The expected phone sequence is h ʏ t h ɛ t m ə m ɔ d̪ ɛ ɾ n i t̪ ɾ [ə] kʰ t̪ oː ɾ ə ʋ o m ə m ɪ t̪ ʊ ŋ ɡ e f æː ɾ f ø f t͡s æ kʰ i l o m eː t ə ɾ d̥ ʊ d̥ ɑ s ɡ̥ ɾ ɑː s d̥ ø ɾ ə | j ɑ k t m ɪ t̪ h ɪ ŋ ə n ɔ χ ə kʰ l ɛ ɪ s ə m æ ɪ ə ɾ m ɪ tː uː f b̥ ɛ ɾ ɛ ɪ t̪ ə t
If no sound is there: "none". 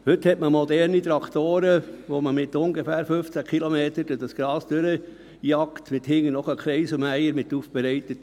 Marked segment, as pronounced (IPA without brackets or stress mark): ɑ